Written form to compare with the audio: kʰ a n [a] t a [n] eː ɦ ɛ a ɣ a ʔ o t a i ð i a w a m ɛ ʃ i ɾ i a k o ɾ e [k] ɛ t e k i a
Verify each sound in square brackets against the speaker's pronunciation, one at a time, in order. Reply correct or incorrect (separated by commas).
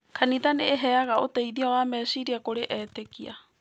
incorrect, correct, incorrect